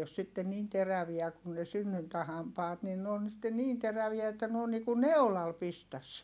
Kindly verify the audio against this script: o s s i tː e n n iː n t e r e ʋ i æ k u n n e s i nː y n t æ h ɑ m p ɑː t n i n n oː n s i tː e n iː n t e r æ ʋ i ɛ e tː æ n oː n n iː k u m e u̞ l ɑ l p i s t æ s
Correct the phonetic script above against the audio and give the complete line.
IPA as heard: o s s i tː e n n iː n t e r æ ʋ i æ k u n n e s y nː y n t æ h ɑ m p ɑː t n i n n oː n s i tː e n iː n t e r æ ʋ i æ e tː æ n oː n n iː k u n e u̞ l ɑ l p i s t æ s

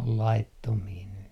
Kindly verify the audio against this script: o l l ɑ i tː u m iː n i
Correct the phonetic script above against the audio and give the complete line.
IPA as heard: o l l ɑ i tː o m iː n y

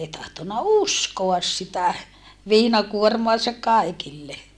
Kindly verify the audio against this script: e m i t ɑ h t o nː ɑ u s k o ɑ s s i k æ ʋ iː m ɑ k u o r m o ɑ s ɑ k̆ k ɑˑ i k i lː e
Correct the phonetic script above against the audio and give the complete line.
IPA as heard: e i t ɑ h t o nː ɑ u s k o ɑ s s i t æ ʋ iː n ɑ k u o r m o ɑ s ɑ k̆ k ɑˑ i k i lː e

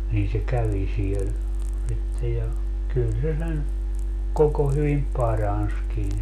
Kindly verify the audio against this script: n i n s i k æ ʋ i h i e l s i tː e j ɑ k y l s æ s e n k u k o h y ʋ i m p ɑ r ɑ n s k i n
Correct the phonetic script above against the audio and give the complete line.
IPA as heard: n iː n s e k æ ʋ i s i e l s i tː e j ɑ k y l s e s e n k o k o h y ʋ i m p ɑ r ɑ n s k i n

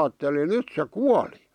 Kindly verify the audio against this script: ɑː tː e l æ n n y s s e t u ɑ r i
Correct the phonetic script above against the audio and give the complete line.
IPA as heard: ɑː tː e l i n n y t s e k u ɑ l i

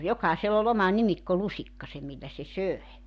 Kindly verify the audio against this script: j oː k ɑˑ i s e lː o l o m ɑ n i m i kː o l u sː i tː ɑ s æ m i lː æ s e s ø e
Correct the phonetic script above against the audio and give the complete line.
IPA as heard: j o k ɑˑ i s e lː o l o m ɑ n i m i kː o l u s i kː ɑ s e m i lː æ s e s ø e

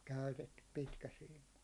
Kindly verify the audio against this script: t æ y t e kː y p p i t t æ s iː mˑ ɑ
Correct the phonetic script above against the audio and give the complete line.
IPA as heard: k æ y t e tː y p p i t k æ s iː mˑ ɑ

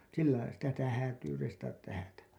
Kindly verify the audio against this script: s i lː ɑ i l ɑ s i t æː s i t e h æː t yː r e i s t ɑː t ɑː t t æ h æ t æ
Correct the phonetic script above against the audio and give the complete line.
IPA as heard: s i lː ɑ i l ɑ s i t æ s i t æ h æː t yː r e i s t ɑ t ɑ t t æ h æ t æ

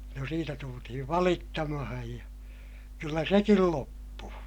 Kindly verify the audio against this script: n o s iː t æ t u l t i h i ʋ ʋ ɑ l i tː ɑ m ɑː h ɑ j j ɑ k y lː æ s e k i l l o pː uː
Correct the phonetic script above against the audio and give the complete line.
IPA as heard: n o s iː t æ t u l t i h i ʋ ʋ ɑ l i tː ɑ m ɑ h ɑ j j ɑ k y lː æ s e k i l l o pː uː

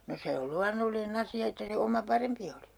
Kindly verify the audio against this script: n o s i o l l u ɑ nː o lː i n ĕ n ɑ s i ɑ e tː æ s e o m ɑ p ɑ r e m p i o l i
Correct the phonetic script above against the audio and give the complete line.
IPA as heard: n o s e o l l u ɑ nː o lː i n ĕ n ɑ s i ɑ e tː æ s e o m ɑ p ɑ r e m p i o l i

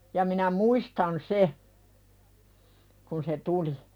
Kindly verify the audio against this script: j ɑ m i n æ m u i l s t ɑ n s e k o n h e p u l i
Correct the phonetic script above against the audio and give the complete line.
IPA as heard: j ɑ m i n æ m u i s t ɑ n s e k u n s e t u l i

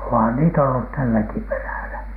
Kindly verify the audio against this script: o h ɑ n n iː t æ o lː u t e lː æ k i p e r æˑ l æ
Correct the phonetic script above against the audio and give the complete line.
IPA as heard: o h ɑ n n iː t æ o lː u t æ lː æ k i p e r æˑ l æ

